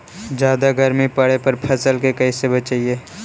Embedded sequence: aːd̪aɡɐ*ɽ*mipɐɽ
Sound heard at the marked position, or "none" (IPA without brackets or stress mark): ɾ